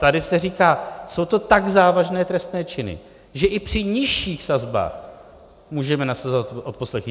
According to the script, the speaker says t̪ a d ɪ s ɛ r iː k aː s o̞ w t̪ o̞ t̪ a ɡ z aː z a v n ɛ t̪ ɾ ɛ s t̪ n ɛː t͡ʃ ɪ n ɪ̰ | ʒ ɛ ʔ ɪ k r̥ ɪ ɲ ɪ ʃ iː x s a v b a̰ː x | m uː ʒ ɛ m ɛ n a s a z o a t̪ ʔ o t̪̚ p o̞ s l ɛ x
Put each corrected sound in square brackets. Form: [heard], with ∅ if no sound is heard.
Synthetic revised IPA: t̪ a d ɪ s ɛ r iː k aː s o̞ w t̪ o̞ t̪ a ɡ z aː [v] a [ʒ] n [ɛː] t̪ ɾ ɛ s t̪ n ɛː t͡ʃ ɪ n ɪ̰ | ʒ ɛ ʔ ɪ [p] r̥ ɪ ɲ ɪ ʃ iː x s a [z] b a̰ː x | m uː ʒ ɛ m ɛ n a s a z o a t̪ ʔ o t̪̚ p o̞ s l ɛ x

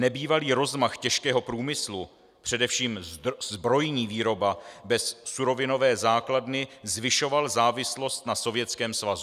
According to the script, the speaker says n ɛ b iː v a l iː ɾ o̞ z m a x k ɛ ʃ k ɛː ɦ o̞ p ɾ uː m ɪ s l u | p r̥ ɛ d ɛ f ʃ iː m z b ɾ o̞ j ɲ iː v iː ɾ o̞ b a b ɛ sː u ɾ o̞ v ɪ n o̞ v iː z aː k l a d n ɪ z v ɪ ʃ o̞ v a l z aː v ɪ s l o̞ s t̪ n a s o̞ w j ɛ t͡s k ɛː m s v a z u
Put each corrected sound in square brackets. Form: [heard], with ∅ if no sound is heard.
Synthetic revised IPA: n ɛ b iː v a l iː ɾ o̞ z m a x [c] ɛ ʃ k ɛː ɦ o̞ p ɾ uː m ɪ s l u | p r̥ ɛ d ɛ f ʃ iː m z b ɾ o̞ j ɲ iː v iː ɾ o̞ b a b ɛ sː u ɾ o̞ v ɪ n o̞ v [ɛː] z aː k l a d n ɪ z v ɪ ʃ o̞ v a l z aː v ɪ s l o̞ s t̪ n a s o̞ [v] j ɛ t͡s k ɛː m s v a z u

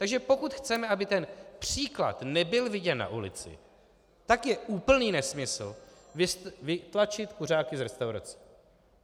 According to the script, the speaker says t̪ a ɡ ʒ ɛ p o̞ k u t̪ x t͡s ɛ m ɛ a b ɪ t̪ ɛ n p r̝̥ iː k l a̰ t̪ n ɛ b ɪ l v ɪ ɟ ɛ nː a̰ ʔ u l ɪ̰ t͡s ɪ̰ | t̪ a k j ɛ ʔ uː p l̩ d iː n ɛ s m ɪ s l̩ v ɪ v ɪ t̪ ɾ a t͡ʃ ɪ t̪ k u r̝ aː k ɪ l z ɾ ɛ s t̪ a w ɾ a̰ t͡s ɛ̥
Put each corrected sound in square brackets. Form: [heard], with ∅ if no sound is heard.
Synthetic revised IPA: t̪ a ɡ ʒ ɛ p o̞ k u t̪ x t͡s ɛ m ɛ a b ɪ t̪ ɛ n p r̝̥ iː k l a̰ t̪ n ɛ b ɪ l v ɪ ɟ ɛ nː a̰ ʔ u l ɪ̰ t͡s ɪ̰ | t̪ a k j ɛ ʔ uː p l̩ [n] iː n ɛ s m ɪ s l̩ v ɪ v ɪ t̪ [l] a t͡ʃ ɪ t̪ k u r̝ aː k ɪ [∅] z ɾ ɛ s t̪ a w ɾ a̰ t͡s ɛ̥

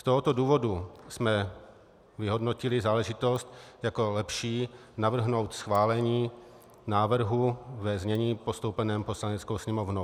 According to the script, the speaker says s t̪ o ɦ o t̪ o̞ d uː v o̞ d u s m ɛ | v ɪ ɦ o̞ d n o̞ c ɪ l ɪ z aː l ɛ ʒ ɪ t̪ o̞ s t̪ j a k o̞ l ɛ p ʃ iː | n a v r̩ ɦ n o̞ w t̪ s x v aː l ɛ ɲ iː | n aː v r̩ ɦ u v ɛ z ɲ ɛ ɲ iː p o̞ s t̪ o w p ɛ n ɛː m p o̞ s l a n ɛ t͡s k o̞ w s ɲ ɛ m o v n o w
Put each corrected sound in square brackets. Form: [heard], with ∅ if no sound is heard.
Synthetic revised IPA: s t̪ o ɦ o t̪ o̞ d uː v o̞ d u s m ɛ | v ɪ ɦ o̞ d n o̞ c ɪ l ɪ z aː l ɛ ʒ ɪ t̪ o̞ s t̪ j a k o̞ l ɛ p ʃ iː | n a v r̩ ɦ n o̞ w t̪ s x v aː l ɛ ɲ iː | n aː v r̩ ɦ u v ɛ z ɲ ɛ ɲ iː p o̞ s t̪ o w p ɛ n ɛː m p o̞ s l a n ɛ t͡s k o̞ w s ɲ ɛ m o v n o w

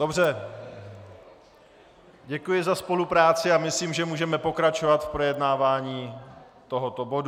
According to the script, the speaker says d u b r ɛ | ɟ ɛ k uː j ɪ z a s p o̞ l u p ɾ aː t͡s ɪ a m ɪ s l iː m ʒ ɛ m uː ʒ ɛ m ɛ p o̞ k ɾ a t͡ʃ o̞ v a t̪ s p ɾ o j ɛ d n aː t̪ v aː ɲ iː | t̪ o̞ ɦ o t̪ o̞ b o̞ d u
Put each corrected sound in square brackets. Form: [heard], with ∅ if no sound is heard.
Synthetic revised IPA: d [o] b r ɛ | ɟ ɛ k [u] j ɪ z a s p o̞ l u p ɾ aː t͡s ɪ a m ɪ s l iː m ʒ ɛ m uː ʒ ɛ m ɛ p o̞ k ɾ a t͡ʃ o̞ v a t̪ [f] p ɾ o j ɛ d n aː [∅] v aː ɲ iː | t̪ o̞ ɦ o t̪ o̞ b o̞ d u

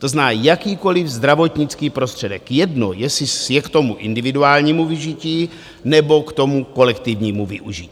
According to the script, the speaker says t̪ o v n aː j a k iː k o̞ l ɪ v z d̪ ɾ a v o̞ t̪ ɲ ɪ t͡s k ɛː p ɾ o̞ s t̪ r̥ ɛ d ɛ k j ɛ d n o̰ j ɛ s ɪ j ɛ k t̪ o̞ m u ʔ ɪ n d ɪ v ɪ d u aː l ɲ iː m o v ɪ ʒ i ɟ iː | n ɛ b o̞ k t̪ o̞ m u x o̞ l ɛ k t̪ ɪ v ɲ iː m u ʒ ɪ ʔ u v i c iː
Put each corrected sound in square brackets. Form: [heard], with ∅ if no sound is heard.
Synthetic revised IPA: t̪ o [z] n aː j a k iː k o̞ l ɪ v z d̪ ɾ a v o̞ t̪ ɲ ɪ t͡s k [iː] p ɾ o̞ s t̪ r̥ ɛ d ɛ k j ɛ d n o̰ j ɛ s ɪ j ɛ k t̪ o̞ m u ʔ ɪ n d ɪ v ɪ d u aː l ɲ iː m [u] v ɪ ʒ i [c] iː | n ɛ b o̞ k t̪ o̞ m u [k] o̞ l ɛ k t̪ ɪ v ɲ iː m u [v] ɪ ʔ u [ʒ] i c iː

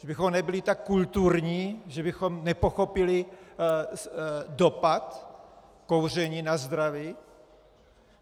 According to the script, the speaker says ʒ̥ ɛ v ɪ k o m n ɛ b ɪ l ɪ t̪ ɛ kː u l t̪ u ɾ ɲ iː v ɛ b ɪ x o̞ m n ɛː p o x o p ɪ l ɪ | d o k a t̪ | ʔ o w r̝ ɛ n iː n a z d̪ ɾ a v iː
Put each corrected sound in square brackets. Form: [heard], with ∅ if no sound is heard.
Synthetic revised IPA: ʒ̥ ɛ [b] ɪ [x] o m n ɛ b ɪ l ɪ t̪ [a] kː u l t̪ u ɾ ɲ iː [ʒ] ɛ b ɪ x o̞ m n [ɛ] p o x o p ɪ l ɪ | d o [p] a t̪ | [k] o w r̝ ɛ [ɲ] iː n a z d̪ ɾ a v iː

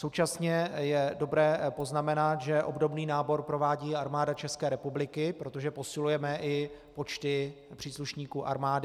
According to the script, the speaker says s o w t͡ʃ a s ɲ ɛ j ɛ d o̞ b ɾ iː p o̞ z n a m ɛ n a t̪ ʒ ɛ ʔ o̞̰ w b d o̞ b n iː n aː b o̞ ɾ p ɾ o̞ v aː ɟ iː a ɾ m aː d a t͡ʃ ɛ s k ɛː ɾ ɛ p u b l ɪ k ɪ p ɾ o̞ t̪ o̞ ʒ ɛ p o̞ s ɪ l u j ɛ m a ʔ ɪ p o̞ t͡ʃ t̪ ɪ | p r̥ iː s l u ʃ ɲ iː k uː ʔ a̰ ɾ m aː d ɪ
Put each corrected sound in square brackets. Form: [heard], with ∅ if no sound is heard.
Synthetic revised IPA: s o w t͡ʃ a s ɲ ɛ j ɛ d o̞ b ɾ [ɛː] p o̞ z n a m ɛ n a t̪ ʒ ɛ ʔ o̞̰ [∅] b d o̞ b n iː n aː b o̞ ɾ p ɾ o̞ v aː ɟ iː a ɾ m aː d a t͡ʃ ɛ s k ɛː ɾ ɛ p u b l ɪ k ɪ p ɾ o̞ t̪ o̞ ʒ ɛ p o̞ s ɪ l u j ɛ m [ɛ] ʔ ɪ p o̞ t͡ʃ t̪ ɪ | p r̥ iː s l u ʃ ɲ iː k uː ʔ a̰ ɾ m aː d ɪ

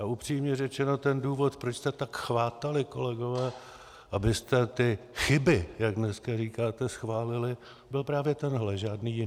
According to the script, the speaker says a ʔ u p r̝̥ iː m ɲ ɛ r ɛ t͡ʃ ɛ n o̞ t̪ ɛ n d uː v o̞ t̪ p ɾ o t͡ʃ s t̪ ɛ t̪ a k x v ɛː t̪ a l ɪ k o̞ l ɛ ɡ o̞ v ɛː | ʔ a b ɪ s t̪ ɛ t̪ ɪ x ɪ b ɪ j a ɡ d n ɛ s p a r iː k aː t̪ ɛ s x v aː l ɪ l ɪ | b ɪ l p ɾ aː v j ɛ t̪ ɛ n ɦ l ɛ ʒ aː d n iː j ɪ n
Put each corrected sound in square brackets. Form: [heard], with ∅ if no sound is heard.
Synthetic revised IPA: a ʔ u p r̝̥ iː m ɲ ɛ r ɛ t͡ʃ ɛ n o̞ t̪ ɛ n d uː v o̞ t̪ p ɾ o t͡ʃ s t̪ ɛ t̪ a k x v [aː] t̪ a l ɪ k o̞ l ɛ ɡ o̞ v ɛː | ʔ a b ɪ s t̪ ɛ t̪ ɪ x ɪ b ɪ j a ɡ d n ɛ s [k] a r iː k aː t̪ ɛ s x v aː l ɪ l ɪ | b ɪ l p ɾ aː v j ɛ t̪ ɛ n ɦ l ɛ ʒ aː d n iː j ɪ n

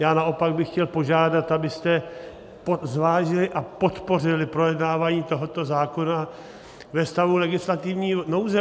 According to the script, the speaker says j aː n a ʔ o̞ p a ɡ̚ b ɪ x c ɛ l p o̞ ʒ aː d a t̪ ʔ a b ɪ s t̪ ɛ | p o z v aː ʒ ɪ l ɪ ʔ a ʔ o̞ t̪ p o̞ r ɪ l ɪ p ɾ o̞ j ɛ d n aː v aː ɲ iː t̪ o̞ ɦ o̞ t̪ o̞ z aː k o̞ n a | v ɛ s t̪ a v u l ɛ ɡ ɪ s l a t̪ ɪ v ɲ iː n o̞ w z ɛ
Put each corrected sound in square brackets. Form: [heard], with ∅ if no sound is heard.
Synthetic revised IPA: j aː n a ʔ o̞ p a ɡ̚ b ɪ x c ɛ l p o̞ ʒ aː d a t̪ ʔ a b ɪ s t̪ ɛ | p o z v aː ʒ ɪ l ɪ ʔ a [p] o̞ t̪ p o̞ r ɪ l ɪ p ɾ o̞ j ɛ d n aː v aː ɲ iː t̪ o̞ ɦ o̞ t̪ o̞ z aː k o̞ n a | v ɛ s t̪ a v u l ɛ ɡ ɪ s l a t̪ ɪ v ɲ iː n o̞ w z ɛ

